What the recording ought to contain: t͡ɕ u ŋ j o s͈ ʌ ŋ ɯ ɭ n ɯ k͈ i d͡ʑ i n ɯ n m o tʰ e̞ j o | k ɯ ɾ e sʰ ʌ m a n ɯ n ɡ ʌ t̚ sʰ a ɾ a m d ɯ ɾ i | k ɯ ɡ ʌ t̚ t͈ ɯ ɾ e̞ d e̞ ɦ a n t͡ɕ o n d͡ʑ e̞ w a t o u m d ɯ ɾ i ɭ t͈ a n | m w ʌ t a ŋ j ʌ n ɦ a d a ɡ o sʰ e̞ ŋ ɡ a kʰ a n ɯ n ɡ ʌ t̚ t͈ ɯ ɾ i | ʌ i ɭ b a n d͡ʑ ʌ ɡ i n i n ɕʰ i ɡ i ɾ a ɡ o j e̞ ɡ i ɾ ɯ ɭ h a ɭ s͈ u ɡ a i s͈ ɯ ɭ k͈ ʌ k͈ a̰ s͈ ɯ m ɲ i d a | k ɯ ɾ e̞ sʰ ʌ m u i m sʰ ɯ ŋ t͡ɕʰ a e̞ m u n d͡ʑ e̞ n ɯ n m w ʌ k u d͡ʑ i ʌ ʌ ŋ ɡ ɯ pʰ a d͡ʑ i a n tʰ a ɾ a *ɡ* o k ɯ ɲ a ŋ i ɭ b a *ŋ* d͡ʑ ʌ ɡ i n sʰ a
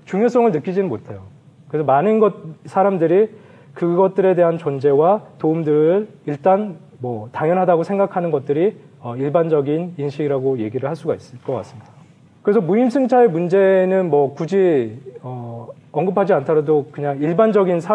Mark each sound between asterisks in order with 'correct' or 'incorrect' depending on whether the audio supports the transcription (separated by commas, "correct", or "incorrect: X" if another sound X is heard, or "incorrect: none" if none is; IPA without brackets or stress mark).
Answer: incorrect: d, incorrect: n